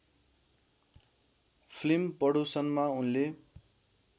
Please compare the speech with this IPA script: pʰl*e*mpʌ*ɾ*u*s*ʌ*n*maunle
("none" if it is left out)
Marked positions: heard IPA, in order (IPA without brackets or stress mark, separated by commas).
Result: i, ɽ, s, n